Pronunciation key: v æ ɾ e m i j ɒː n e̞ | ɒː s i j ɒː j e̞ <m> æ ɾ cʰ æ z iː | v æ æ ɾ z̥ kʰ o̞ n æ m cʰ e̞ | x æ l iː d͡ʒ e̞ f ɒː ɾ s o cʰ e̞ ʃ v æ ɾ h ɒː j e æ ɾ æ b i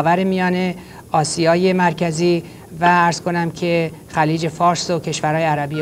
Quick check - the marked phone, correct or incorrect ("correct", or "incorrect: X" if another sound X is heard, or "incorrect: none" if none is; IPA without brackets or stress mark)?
correct